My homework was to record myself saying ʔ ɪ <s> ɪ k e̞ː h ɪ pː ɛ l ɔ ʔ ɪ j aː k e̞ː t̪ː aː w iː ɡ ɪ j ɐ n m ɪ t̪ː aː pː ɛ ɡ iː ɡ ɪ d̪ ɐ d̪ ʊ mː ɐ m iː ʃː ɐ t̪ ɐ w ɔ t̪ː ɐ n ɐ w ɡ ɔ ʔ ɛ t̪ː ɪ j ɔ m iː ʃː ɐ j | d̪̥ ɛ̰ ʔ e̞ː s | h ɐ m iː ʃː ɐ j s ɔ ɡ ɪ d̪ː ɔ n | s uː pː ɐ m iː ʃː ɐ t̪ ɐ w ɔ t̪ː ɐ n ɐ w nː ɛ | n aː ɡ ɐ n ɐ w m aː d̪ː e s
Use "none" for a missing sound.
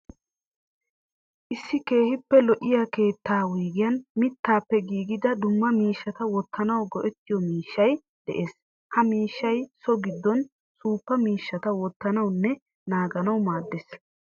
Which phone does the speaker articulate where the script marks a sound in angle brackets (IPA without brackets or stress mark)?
sː